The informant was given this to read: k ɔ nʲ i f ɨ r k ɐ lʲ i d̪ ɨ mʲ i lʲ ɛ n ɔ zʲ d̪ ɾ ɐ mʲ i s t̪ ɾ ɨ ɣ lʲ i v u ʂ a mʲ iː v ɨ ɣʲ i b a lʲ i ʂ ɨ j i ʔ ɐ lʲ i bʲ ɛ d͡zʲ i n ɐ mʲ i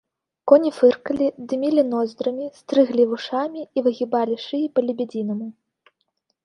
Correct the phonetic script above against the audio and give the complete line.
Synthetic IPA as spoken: k ɔ nʲ i f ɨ r k ɐ lʲ i d̪ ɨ mʲ i lʲ i n ɔ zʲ d̪ ɾ ɐ mʲ i s t̪ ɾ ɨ ɣ lʲ i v u ʂ a mʲ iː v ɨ ɣʲ i b a lʲ i ʂ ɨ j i p ɐ lʲ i bʲ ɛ d͡zʲ i n ɐ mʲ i

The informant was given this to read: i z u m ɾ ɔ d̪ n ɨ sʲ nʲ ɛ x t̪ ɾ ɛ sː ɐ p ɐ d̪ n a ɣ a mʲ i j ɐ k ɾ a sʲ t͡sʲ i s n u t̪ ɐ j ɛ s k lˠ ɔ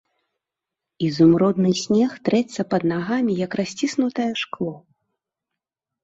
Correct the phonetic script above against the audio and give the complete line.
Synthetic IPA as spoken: i z u m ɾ ɔ d̪ n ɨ sʲ nʲ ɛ x t̪ ɾ ɛ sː ɐ p ɐ d̪ n a ɣ a mʲ i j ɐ k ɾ a sʲ t͡sʲ i s n u t̪ ɐ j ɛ ʂ k lˠ ɔ

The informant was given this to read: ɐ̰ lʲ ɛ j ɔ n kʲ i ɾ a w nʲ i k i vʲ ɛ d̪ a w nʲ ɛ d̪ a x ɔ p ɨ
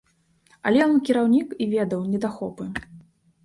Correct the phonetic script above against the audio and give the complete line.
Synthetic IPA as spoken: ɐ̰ lʲ ɛ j ɔ n kʲ i ɾ a w nʲ i k i vʲ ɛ d̪ ɐ w nʲ ɛ d̪ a x ɔ p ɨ

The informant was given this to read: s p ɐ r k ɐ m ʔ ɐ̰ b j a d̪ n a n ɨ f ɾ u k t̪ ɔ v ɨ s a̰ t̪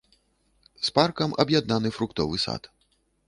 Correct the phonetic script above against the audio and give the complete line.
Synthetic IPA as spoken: s p a r k ɐ m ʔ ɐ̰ b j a d̪ n a n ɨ f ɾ u k t̪ ɔ v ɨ s a̰ t̪

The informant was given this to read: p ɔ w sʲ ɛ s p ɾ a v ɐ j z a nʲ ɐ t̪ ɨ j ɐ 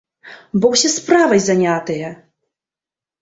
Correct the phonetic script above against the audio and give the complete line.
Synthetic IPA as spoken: b ɔ w sʲ ɛ s p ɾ a v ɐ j z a nʲ a t̪ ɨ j ɐ

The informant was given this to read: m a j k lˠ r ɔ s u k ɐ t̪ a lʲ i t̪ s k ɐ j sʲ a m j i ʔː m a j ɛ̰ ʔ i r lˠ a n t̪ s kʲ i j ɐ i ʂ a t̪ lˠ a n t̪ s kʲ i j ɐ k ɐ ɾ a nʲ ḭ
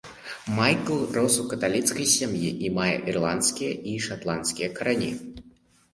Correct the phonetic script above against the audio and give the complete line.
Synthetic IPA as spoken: m a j k lˠ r ɔ s u k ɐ t̪ a lʲ i t̪ s k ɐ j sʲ a m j i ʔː m a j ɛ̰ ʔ i r lˠ a n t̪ s kʲ i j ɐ i ʂ a t̪ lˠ a n t̪ s kʲ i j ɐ k ɐ ɾ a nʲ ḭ

